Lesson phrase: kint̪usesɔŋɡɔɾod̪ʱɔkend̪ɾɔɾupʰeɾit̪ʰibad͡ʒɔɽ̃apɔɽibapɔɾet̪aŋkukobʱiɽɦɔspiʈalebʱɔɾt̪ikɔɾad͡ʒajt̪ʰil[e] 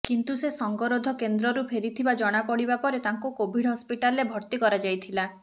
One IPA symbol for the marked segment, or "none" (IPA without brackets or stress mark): a